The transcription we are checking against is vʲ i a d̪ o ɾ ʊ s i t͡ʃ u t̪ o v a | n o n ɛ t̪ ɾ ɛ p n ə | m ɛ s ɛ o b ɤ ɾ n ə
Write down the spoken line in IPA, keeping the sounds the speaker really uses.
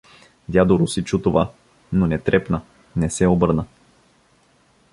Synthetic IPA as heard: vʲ j a d̪ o ɾ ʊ s i t͡ʃ u t̪ o v a | n o n ɛ t̪ ɾ ɛ p n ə | n ɛ s ɛ o b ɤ ɾ n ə

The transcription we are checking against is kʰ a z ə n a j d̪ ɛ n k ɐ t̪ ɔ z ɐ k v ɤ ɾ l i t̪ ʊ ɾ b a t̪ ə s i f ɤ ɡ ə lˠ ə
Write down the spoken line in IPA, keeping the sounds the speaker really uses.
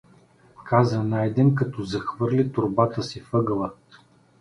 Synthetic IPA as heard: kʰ a z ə n a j d̪ ɛ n k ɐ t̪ ɔ z ɐ x v ɤ ɾ l i t̪ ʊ ɾ b a t̪ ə s i f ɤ ɡ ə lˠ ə

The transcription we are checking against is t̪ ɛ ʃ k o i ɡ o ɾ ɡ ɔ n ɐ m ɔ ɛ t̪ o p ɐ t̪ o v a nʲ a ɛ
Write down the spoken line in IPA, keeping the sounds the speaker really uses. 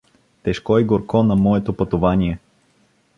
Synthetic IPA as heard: t̪ ɛ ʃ k ɔ i ɡ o ɾ k ɔ n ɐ m ɔ ɛ t̪ o p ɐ t̪ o v a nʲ i ɛ

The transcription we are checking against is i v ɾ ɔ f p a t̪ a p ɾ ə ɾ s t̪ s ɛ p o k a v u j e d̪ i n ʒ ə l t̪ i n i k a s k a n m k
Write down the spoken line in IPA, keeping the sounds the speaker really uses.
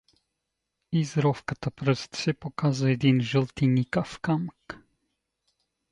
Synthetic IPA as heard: i z ɾ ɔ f k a t̪ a p ɾ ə s t̪ s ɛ p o k a z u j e d̪ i n ʒ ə l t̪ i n i k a f k a m k

